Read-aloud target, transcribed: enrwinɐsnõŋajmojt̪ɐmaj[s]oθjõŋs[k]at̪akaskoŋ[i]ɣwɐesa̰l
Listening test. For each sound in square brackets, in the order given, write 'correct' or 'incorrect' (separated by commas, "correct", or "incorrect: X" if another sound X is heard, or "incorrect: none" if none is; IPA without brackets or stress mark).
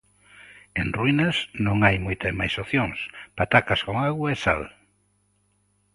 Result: correct, incorrect: p, incorrect: a